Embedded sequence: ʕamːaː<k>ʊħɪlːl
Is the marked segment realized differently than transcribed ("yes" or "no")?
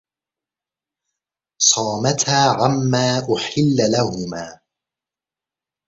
yes